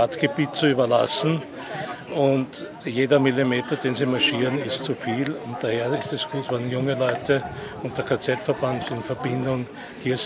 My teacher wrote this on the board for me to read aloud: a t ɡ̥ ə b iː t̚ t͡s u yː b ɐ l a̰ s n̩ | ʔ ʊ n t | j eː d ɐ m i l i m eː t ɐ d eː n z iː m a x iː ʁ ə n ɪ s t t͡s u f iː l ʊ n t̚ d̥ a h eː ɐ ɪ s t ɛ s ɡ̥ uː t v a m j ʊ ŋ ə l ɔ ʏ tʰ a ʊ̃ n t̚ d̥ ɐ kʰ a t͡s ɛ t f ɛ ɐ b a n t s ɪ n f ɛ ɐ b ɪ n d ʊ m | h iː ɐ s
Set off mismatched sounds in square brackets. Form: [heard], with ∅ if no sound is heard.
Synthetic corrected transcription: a t ɡ̥ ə b iː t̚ t͡s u yː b ɐ l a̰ s n̩ | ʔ ʊ n t | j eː d ɐ m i l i m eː t ɐ d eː n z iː m a [ʃ] iː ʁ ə n ɪ s t t͡s u f iː l ʊ n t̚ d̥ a h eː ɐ ɪ s t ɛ s ɡ̥ uː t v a [n] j ʊ ŋ ə l ɔ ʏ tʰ [ə] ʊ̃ n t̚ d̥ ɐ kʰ a t͡s ɛ t f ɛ ɐ b a n t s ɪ n f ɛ ɐ b ɪ n d ʊ [ŋ] | h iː ɐ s

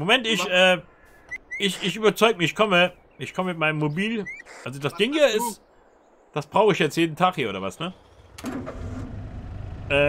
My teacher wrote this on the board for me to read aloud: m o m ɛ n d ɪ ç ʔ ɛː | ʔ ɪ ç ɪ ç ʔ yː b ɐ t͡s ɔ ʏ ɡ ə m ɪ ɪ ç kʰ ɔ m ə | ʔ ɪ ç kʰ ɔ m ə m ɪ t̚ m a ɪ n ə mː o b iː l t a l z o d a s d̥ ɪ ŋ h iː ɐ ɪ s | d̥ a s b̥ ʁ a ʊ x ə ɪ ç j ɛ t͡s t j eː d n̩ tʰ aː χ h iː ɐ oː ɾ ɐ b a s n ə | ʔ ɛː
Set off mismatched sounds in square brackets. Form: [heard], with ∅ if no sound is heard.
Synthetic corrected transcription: m o m ɛ n [t] ɪ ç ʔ ɛː | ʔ ɪ ç ɪ ç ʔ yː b ɐ t͡s ɔ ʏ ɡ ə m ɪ ɪ ç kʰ ɔ m ə | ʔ ɪ ç kʰ ɔ m ə m ɪ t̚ m a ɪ n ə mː o b iː l [ʔ] a l z o d a s d̥ ɪ ŋ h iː ɐ ɪ s | d̥ a s b̥ ʁ a ʊ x ə ɪ ç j ɛ t͡s t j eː d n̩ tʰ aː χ h iː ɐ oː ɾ ɐ [v] a s n ə | ʔ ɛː

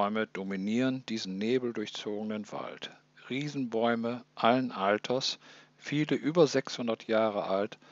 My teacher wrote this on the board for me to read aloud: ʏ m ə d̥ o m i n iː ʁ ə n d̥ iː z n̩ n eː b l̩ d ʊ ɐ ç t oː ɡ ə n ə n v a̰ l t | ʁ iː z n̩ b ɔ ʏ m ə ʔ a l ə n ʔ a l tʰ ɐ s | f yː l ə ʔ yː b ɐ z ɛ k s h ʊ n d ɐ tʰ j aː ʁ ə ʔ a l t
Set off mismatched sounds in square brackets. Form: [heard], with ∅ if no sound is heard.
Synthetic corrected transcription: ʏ m ə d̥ o m i n iː ʁ ə n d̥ iː z n̩ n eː b l̩ d ʊ ɐ ç [t͡s] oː ɡ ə n ə n v a̰ l t | ʁ iː z n̩ b ɔ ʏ m ə ʔ a l ə n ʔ a l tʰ ɐ s | f [iː] l ə ʔ yː b ɐ z ɛ k s h ʊ n d ɐ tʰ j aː ʁ ə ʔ a l t

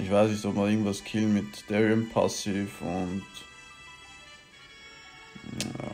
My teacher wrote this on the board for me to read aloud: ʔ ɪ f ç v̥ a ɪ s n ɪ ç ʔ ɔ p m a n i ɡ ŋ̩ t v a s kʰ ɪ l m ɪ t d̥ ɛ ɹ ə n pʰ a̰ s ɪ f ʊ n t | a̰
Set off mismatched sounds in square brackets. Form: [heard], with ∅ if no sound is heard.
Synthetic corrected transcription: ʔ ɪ [∅] ç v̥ a ɪ s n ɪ ç [t] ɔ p m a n [ɪ] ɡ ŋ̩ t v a s kʰ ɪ l m ɪ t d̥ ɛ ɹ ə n pʰ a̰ s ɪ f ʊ n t | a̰

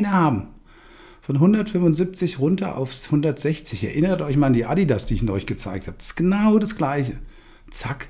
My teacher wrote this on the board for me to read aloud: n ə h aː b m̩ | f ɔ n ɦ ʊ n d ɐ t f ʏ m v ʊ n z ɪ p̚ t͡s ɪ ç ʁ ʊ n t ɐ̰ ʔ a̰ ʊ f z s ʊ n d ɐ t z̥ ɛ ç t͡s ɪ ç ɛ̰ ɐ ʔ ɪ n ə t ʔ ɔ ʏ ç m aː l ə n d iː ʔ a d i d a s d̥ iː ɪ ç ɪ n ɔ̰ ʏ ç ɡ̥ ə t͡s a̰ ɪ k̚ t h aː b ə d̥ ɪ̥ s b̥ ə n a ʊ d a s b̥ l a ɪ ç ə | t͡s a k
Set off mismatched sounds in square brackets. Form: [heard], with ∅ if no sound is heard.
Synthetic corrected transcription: n ə h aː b m̩ | f ɔ n ɦ ʊ n d ɐ t f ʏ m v ʊ n z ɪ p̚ t͡s ɪ ç ʁ ʊ n t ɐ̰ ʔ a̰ ʊ f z [h] ʊ n d ɐ t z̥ ɛ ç t͡s ɪ ç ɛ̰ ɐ ʔ ɪ n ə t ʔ ɔ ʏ ç m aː l [a] n d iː ʔ a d i d a s d̥ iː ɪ ç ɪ n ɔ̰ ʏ ç ɡ̥ ə t͡s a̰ ɪ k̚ t h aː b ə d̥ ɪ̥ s [ɡ̥] ə n a ʊ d a s [ɡ̥] l a ɪ ç ə | t͡s a k

